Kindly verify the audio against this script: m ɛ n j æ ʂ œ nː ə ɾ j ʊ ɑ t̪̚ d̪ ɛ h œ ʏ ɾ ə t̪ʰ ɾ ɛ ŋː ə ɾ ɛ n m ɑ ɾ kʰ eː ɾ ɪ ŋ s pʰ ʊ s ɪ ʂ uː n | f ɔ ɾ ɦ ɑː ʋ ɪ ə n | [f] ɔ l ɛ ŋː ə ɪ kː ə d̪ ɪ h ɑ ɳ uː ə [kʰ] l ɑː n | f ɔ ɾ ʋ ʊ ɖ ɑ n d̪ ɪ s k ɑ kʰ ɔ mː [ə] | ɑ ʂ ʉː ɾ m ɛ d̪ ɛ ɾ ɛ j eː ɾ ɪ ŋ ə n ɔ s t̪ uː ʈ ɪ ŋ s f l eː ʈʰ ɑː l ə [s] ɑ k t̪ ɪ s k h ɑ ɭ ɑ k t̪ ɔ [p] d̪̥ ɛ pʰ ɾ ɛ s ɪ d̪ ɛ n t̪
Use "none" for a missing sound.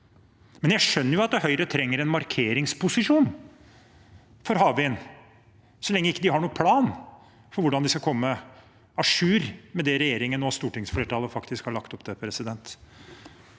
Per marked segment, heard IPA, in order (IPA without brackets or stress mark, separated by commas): s, pʰ, ə, f, p